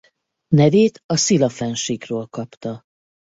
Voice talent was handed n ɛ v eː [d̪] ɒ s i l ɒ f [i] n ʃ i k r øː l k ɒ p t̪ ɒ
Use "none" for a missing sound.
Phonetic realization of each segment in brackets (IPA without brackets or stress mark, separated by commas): t̪, ɛ